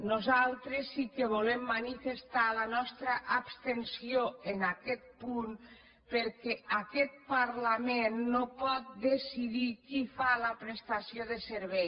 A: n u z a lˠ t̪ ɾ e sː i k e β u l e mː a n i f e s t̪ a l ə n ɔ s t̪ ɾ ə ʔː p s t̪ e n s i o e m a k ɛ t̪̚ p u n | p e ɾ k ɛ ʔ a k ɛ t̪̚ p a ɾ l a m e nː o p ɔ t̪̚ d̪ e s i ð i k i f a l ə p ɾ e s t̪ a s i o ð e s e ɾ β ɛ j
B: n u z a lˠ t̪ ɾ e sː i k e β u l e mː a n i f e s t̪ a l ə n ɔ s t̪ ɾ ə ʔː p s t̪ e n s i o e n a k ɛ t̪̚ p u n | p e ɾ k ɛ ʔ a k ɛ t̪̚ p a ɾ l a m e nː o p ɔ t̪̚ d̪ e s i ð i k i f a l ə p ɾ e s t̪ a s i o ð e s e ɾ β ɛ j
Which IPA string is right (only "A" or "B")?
B